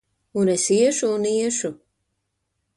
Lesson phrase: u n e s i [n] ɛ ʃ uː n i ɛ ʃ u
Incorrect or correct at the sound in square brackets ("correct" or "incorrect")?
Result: incorrect